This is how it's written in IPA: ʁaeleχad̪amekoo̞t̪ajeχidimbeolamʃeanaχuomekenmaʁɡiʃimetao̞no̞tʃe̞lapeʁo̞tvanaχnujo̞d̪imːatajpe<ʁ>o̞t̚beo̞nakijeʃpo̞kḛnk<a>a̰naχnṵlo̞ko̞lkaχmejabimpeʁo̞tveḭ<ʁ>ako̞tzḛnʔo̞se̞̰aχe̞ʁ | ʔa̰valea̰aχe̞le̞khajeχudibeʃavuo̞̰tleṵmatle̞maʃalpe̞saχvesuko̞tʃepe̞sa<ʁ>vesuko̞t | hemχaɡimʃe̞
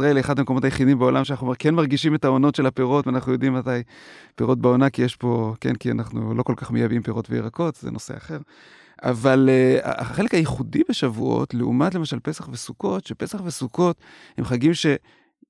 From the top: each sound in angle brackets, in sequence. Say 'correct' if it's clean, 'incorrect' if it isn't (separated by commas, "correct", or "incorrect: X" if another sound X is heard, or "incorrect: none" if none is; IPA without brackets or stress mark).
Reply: correct, incorrect: i, correct, incorrect: χ